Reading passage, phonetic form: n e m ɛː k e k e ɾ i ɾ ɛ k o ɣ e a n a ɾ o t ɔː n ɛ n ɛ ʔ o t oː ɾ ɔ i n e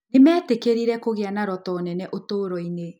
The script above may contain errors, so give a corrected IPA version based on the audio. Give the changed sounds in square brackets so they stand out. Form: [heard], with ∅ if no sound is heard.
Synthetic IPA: n e m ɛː [t] e k e ɾ i ɾ ɛ k o ɣ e a n a ɾ [ɔ] t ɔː n ɛ n ɛ ʔ o t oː ɾ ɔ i n e